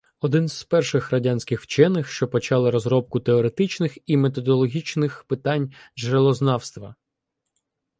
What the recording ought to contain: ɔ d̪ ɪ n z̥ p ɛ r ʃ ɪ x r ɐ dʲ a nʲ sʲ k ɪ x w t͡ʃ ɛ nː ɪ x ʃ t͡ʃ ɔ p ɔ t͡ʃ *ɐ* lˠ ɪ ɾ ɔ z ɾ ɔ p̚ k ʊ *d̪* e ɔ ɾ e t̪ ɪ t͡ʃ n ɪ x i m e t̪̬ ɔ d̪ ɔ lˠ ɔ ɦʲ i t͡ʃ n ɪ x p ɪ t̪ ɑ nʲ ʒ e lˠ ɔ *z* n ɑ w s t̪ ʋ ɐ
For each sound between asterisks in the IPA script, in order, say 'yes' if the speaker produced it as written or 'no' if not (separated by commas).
no, no, yes